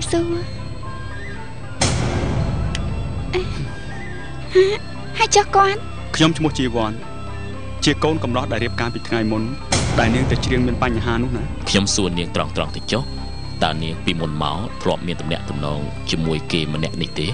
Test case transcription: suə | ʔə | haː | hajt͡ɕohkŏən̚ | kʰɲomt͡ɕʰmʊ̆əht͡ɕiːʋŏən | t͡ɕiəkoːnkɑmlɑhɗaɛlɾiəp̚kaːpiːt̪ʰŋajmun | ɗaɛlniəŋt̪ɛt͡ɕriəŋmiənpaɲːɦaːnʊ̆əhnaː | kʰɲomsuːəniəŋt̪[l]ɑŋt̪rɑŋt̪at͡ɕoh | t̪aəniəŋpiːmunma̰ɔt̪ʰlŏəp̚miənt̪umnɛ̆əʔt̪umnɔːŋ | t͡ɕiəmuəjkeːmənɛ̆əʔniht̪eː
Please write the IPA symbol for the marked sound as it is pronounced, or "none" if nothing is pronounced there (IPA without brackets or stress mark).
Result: r